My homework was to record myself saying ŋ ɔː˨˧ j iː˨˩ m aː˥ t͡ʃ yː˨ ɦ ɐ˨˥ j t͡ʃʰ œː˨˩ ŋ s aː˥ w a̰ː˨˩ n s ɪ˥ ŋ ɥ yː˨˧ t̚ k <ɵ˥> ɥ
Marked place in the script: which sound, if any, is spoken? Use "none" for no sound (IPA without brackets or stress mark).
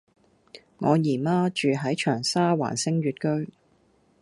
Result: ɵ˥